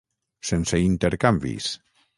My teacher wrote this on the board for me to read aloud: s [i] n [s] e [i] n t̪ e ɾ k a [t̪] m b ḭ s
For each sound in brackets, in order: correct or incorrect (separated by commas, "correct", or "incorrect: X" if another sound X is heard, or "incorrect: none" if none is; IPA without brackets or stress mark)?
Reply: incorrect: e, correct, correct, incorrect: none